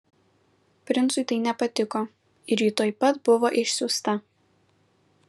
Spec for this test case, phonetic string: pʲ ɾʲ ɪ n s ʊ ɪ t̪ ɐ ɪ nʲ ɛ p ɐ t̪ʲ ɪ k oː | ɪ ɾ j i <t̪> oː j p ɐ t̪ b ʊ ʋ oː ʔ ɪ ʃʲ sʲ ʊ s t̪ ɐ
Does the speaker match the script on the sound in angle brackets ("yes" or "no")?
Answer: yes